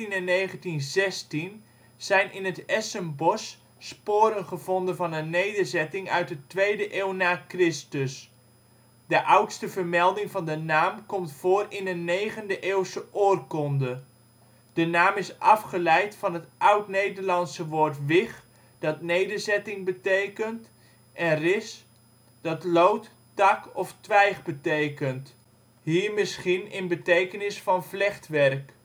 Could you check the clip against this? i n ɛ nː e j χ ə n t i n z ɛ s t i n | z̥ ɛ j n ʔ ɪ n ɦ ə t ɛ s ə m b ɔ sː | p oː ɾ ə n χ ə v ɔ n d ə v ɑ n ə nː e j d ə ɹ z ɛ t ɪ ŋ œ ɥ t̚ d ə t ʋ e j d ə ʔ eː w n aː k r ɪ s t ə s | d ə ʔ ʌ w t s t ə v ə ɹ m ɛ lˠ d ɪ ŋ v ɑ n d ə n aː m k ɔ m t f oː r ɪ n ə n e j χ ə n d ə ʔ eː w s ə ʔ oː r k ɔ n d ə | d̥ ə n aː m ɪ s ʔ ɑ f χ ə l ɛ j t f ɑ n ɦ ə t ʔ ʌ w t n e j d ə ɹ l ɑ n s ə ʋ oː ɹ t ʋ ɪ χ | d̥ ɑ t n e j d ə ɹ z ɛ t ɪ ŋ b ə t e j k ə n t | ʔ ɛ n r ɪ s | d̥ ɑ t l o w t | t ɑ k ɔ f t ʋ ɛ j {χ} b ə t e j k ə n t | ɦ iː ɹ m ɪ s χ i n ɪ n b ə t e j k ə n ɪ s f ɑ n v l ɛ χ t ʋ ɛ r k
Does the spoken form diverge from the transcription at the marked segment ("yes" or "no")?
no